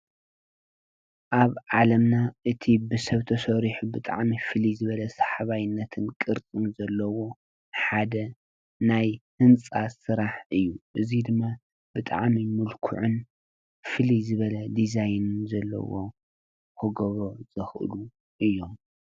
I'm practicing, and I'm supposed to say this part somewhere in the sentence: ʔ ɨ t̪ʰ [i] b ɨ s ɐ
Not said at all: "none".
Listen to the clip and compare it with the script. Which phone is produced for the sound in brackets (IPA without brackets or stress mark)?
i